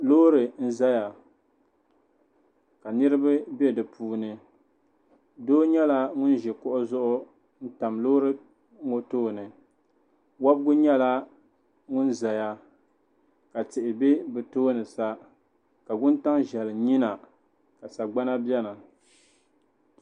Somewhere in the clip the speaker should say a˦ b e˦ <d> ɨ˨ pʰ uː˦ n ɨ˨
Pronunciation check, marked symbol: correct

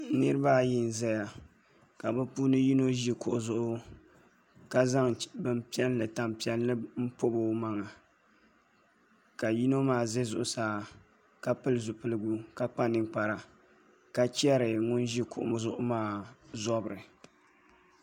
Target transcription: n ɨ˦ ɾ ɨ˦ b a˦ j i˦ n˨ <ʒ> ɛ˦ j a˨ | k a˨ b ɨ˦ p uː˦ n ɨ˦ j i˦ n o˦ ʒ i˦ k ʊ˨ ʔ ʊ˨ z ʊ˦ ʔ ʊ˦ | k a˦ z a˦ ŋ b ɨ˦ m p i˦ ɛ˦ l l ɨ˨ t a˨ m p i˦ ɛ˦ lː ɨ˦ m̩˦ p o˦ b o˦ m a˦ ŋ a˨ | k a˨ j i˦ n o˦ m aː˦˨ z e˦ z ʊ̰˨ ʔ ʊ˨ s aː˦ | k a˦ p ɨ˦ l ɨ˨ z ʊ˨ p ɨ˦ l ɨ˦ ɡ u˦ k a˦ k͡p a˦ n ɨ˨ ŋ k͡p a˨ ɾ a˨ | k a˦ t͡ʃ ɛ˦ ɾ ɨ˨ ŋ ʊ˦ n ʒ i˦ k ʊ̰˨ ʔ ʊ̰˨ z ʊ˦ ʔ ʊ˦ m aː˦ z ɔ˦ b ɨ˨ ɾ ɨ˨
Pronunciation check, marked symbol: incorrect: z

